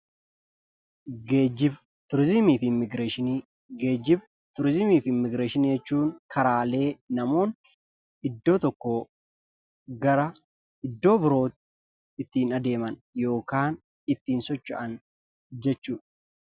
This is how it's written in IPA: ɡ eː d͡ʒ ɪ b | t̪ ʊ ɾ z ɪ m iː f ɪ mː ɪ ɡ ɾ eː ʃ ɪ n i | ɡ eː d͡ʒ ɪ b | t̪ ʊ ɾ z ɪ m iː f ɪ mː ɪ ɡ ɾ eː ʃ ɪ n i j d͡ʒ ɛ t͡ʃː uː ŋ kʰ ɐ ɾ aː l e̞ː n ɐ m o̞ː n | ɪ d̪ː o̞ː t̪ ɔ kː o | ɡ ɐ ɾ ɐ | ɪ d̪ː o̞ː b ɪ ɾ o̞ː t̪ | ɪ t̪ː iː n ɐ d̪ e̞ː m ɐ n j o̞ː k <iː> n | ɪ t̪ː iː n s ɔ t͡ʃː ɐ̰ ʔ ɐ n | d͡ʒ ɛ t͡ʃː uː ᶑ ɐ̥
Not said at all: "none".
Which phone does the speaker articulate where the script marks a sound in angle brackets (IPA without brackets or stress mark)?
aː